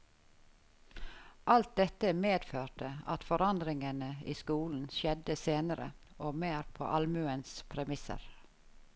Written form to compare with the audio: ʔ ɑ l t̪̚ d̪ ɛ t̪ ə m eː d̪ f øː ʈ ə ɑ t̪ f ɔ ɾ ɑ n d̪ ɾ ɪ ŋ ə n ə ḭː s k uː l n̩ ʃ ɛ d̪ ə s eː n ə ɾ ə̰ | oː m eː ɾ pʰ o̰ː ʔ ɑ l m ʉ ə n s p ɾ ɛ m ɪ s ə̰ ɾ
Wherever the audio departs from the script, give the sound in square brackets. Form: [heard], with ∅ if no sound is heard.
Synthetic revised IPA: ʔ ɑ l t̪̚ d̪ ɛ t̪ ə m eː d̪ f øː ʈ ə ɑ t̪ f ɔ ɾ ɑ n d̪ ɾ ɪ ŋ ə n ə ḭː s k uː l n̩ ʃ ɛ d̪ ə s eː n ə ɾ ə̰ | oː m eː ɾ pʰ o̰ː ʔ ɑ l m ʉ ə n s [pʰ] ɾ ɛ m ɪ s ə̰ ɾ

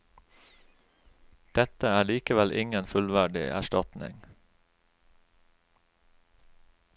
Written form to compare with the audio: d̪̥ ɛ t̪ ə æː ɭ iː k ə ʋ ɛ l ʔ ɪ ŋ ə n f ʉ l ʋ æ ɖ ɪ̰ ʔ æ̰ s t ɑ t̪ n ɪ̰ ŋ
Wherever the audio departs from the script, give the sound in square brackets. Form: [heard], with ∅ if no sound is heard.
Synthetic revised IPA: d̪̥ ɛ t̪ ə æː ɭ iː k ə ʋ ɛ l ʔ ɪ ŋ ə n f ʉ l ʋ æ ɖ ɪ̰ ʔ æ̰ [ʃ] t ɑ t̪ n ɪ̰ ŋ

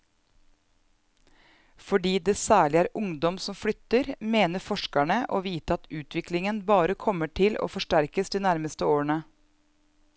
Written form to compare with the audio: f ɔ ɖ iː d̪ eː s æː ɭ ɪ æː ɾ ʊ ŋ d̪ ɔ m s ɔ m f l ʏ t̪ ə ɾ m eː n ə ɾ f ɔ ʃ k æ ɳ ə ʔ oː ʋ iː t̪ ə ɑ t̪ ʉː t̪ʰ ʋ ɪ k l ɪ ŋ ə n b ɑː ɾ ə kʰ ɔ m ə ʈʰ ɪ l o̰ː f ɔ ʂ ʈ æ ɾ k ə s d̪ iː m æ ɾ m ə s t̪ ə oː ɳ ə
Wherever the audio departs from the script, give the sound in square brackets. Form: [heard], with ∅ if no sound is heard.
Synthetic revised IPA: f ɔ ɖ iː d̪ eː s æː ɭ ɪ æː ɾ ʊ ŋ d̪ ɔ m s ɔ m f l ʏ t̪ ə ɾ m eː n ə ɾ f ɔ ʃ k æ ɳ ə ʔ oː ʋ iː t̪ ə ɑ t̪ ʉː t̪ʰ ʋ ɪ k l ɪ ŋ ə n b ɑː ɾ ə kʰ ɔ m ə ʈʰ ɪ l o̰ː f ɔ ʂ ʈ æ ɾ k ə s d̪ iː [n] æ ɾ m ə s t̪ ə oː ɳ ə

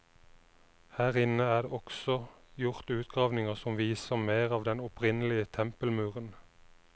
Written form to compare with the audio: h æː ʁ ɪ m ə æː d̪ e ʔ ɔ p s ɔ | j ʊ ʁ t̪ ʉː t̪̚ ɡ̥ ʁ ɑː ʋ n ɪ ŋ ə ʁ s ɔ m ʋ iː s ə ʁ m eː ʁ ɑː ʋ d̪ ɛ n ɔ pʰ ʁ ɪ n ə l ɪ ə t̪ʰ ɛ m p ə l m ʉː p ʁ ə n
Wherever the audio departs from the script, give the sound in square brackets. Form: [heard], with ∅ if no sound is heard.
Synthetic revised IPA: h æː ʁ ɪ [n] ə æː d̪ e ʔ ɔ [k] s ɔ | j ʊ ʁ t̪ ʉː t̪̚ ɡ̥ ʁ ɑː ʋ n ɪ ŋ ə ʁ s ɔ m ʋ iː s ə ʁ m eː ʁ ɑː ʋ d̪ ɛ n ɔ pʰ ʁ ɪ n ə l ɪ ə t̪ʰ ɛ m p ə l m ʉː [∅] ʁ ə n

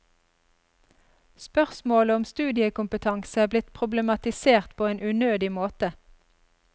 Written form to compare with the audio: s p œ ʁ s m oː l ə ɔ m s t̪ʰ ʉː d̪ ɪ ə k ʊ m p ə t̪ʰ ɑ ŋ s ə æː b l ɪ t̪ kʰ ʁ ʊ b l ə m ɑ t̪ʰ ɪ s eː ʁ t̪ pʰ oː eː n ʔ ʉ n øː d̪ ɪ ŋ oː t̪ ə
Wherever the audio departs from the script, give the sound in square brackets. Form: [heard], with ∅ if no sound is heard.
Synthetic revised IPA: s p œ ʁ s m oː l ə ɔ m s [t̪] ʉː d̪ ɪ ə k ʊ m p ə t̪ʰ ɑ ŋ s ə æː b l ɪ t̪ [pʰ] ʁ ʊ b l ə m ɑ [t̪] ɪ s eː ʁ t̪ pʰ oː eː n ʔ ʉ n øː d̪ ɪ [m] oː t̪ ə

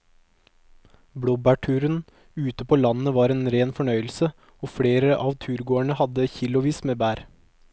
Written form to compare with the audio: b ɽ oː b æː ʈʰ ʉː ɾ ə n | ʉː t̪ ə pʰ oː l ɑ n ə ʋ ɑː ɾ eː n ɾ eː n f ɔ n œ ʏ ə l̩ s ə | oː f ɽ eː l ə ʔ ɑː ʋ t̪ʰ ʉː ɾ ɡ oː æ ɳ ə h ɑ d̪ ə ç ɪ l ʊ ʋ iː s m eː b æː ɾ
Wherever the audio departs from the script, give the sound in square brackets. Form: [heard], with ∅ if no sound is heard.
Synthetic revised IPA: b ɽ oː b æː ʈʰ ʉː ɾ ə n | ʉː t̪ ə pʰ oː l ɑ n ə ʋ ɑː ɾ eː n ɾ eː n f ɔ [ɳ] œ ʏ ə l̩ s ə | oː f ɽ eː [ɾ] ə ʔ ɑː ʋ t̪ʰ ʉː ɾ ɡ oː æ ɳ ə h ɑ d̪ ə ç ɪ l ʊ ʋ iː s m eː b æː ɾ

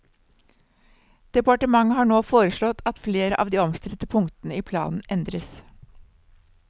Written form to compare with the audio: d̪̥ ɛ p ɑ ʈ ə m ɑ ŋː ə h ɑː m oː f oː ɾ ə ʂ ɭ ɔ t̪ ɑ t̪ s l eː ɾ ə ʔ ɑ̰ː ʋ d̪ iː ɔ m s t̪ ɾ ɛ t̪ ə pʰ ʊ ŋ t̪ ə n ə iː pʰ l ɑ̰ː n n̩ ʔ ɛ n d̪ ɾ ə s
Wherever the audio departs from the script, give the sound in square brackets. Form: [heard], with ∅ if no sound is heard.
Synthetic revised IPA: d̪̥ ɛ p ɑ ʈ ə m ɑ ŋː ə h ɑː [ɳ] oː f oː ɾ ə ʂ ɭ ɔ t̪ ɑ t̪ [f] l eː ɾ ə ʔ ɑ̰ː ʋ d̪ iː ɔ m s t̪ ɾ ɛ t̪ ə pʰ ʊ ŋ t̪ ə n ə iː pʰ l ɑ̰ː n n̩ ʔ ɛ n d̪ ɾ ə s

